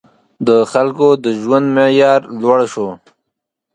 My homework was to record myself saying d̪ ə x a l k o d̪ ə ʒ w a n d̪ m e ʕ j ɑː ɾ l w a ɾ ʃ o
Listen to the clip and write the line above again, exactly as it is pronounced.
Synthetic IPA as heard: d̪ ə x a l k o d̪ ə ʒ w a n d̪ m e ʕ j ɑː ɾ l w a ɽ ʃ o